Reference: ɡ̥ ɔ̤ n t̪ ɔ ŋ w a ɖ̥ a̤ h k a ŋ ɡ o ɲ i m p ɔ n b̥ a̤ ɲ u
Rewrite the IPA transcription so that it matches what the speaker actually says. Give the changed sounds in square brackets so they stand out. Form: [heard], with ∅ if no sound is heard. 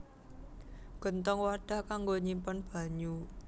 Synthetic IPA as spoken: ɡ̥ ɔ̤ n t̪ ɔ ŋ w a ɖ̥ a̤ h k a ŋ ɡ o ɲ i m p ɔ n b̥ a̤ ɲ u